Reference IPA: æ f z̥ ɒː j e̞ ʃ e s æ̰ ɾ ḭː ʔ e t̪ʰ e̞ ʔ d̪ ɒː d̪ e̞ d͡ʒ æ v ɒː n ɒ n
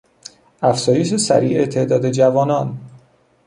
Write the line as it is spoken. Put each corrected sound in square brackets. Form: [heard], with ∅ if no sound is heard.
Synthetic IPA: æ f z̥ ɒː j e̞ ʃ e s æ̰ ɾ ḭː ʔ e t̪ʰ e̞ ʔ d̪ ɒː d̪ e̞ d͡ʒ æ v ɒː n ɒ n